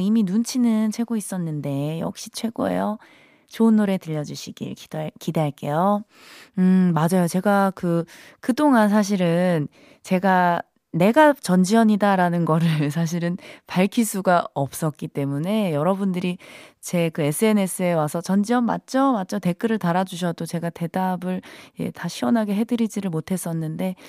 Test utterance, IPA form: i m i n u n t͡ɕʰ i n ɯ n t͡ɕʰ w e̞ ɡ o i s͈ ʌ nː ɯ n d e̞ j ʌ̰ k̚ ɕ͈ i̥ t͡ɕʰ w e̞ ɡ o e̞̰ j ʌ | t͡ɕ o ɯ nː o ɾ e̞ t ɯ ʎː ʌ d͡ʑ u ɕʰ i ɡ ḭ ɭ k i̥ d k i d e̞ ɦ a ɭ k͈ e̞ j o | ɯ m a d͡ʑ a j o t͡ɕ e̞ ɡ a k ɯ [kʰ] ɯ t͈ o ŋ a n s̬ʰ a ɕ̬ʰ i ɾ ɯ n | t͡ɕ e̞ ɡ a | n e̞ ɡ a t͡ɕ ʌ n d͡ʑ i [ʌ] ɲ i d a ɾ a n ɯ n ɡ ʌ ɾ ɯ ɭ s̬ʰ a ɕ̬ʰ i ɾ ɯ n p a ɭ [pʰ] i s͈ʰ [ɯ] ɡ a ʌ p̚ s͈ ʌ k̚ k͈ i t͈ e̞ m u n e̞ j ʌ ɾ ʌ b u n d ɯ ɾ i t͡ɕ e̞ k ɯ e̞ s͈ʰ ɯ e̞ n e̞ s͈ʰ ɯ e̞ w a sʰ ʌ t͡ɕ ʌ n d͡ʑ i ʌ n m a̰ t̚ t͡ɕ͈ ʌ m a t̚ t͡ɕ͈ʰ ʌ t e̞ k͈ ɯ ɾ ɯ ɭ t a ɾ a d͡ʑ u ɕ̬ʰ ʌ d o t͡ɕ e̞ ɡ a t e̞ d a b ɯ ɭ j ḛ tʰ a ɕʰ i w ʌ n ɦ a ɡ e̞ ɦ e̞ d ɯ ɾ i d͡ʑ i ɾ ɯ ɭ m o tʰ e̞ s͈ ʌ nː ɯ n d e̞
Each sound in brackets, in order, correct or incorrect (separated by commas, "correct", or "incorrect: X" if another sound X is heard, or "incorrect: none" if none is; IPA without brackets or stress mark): incorrect: k, correct, incorrect: kʰ, incorrect: u